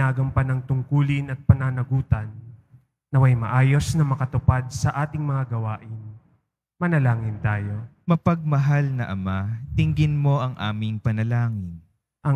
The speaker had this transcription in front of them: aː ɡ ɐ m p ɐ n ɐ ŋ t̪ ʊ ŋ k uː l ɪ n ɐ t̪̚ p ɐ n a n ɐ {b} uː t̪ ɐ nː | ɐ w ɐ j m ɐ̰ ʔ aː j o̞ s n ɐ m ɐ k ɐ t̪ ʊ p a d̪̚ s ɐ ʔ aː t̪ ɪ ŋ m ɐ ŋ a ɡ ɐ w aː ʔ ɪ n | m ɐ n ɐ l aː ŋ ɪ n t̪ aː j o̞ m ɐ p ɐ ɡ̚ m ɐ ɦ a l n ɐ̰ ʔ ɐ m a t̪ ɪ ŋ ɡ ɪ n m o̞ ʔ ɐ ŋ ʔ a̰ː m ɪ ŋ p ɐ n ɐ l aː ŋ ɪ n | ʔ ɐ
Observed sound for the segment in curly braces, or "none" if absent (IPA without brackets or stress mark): ɡ